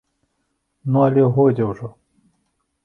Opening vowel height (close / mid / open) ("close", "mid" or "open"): close